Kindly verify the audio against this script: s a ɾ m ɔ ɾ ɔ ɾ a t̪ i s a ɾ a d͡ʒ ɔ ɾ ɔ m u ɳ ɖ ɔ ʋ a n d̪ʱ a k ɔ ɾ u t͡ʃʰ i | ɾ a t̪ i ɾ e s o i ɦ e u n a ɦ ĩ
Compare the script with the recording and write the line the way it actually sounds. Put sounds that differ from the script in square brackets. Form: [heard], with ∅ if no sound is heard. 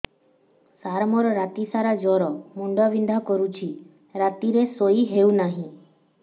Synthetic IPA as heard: s a ɾ m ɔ ɾ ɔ ɾ a t̪ i s a ɾ a d͡ʒ ɔ ɾ ɔ m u ɳ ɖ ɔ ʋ [i] n d̪ʱ a k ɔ ɾ u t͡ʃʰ i | ɾ a t̪ i ɾ e s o i ɦ e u n a ɦ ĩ

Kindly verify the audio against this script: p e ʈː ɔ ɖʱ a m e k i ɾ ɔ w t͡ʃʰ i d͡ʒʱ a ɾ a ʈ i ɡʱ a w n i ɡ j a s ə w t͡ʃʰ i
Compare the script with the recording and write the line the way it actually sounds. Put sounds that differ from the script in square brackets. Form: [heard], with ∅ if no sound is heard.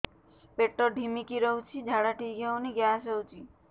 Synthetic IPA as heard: p e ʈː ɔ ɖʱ [i] m [i] k i ɾ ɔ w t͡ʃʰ i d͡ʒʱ a [ɽ] a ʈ i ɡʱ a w n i ɡ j a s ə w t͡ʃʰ i

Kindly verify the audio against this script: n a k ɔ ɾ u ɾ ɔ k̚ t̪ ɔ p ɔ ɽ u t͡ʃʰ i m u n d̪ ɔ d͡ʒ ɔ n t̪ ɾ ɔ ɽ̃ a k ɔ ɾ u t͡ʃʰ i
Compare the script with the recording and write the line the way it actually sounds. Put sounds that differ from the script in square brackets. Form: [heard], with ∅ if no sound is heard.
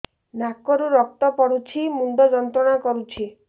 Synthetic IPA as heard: n a k ɔ ɾ u ɾ ɔ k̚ t̪ ɔ p ɔ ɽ u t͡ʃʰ i m u n d̪ ɔ d͡ʒ ɔ n t̪ ɾ ɔ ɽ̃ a k ɔ ɾ u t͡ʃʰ i

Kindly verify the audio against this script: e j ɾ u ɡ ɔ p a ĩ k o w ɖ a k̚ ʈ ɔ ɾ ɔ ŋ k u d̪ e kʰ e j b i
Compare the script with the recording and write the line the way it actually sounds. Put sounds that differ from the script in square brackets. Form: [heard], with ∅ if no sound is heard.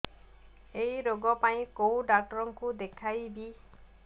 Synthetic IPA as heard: e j ɾ [o] ɡ ɔ p a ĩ k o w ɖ a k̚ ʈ ɔ ɾ ɔ ŋ k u d̪ e kʰ [a] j b i

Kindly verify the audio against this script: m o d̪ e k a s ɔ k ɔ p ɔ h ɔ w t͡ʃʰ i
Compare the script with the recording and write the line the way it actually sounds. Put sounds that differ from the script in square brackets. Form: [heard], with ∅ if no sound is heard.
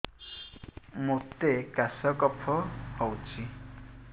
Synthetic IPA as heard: m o [t̪] e k a s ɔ k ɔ [pʰ] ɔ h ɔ w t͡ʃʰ i

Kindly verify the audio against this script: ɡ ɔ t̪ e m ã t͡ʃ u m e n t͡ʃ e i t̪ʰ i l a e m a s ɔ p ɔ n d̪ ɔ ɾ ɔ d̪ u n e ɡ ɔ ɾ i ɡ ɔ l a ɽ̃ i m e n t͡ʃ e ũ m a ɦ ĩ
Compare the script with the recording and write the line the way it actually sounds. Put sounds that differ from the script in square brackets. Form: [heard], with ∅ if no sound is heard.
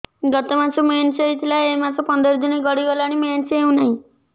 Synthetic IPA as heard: ɡ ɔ t̪ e m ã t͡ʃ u m e n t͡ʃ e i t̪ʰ i l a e m a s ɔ p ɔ n d̪ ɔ ɾ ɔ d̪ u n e ɡ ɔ [ɽ] i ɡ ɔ l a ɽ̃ i m e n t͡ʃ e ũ [n] a ɦ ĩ

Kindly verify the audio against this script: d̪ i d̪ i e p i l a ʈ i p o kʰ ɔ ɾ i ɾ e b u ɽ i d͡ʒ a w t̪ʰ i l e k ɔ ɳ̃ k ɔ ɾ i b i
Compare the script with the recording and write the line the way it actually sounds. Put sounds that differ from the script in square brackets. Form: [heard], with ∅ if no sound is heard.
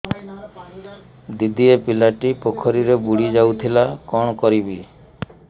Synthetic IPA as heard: d̪ i d̪ i e p i l a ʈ i p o kʰ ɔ ɾ i ɾ e b u ɽ i d͡ʒ a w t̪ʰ i l [a] k ɔ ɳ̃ k ɔ ɾ i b i

